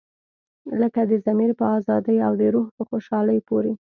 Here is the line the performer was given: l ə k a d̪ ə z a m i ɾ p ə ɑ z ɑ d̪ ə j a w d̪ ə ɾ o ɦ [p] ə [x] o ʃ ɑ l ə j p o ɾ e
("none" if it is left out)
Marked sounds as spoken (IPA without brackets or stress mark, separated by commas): p, x